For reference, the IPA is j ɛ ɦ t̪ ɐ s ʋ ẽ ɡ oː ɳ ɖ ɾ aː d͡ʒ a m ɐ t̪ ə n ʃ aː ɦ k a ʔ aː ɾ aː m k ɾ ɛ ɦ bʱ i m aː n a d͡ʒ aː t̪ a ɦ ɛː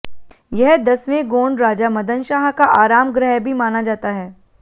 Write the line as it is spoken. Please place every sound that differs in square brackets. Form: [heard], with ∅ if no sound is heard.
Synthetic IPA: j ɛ ɦ [d̪] ɐ s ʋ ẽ ɡ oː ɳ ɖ ɾ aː d͡ʒ a m ɐ [d̪] ə n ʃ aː ɦ k a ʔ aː ɾ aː m [ɡ] ɾ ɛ ɦ bʱ i m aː n a d͡ʒ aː t̪ a ɦ ɛː